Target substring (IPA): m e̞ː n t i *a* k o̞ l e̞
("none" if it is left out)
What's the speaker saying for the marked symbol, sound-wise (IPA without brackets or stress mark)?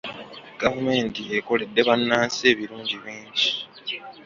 e